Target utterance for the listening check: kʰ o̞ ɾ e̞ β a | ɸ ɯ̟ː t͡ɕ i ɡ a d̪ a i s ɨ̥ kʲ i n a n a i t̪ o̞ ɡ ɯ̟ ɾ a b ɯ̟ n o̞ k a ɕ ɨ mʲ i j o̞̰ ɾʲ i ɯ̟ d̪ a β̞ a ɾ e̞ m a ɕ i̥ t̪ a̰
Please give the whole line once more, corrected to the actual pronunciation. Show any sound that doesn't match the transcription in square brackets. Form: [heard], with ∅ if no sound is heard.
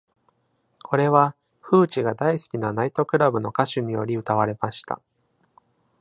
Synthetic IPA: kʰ o̞ ɾ e̞ β a | ɸ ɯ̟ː t͡ɕ i ɡ a d̪ a i s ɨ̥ kʲ i n a n a i t̪ o̞ [k] ɯ̟ ɾ a b ɯ̟ n o̞ k a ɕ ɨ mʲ i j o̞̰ ɾʲ i ɯ̟ [t̪] a β̞ a ɾ e̞ m a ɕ i̥ t̪ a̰